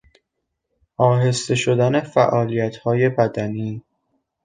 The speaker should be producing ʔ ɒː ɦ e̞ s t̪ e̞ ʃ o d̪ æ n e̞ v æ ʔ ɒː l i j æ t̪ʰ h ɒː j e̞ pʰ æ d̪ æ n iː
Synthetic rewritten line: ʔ ɒː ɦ e̞ s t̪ e̞ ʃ o d̪ æ n e̞ f æ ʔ ɒː l i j æ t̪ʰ h ɒː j e̞ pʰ æ d̪ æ n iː